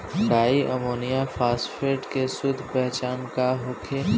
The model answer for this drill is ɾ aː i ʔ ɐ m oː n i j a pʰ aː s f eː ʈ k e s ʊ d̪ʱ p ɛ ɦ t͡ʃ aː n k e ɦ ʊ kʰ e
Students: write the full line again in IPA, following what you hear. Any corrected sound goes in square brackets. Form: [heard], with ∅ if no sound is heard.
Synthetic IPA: ɾ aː i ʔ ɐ m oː n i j a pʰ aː s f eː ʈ k e s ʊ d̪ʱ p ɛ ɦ t͡ʃ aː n k [a] ɦ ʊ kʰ e